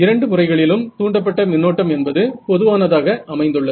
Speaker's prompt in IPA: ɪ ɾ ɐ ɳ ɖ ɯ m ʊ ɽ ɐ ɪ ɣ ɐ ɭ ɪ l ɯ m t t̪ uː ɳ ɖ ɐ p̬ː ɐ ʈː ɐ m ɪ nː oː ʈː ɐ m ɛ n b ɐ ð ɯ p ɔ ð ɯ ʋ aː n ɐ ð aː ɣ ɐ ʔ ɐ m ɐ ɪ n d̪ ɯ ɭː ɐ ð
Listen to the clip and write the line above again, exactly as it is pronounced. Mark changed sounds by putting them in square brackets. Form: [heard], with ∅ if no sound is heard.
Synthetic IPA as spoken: ɪ ɾ ɐ ɳ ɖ ɯ m ʊ [r] ɐ ɪ ɣ ɐ ɭ ɪ l ɯ m t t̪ uː ɳ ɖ ɐ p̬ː ɐ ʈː ɐ m ɪ nː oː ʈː ɐ m ɛ n b ɐ ð ɯ p ɔ ð ɯ ʋ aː n ɐ ð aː ɣ ɐ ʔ ɐ m ɐ ɪ n d̪ ɯ ɭː ɐ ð